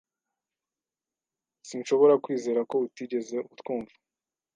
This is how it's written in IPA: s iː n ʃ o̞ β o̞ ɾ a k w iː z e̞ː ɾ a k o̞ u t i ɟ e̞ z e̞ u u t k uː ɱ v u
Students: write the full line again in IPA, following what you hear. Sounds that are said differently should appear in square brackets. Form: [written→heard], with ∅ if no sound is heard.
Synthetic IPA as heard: s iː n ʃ o̞ β o̞ ɾ a k w iː z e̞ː ɾ a k o̞ u t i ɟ e̞ z e̞ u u t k uː ɱ v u